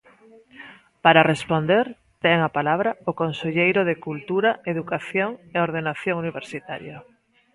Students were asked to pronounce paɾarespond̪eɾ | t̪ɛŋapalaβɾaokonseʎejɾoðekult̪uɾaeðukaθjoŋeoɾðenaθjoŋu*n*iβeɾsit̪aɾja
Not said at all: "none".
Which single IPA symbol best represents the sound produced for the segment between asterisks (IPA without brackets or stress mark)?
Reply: n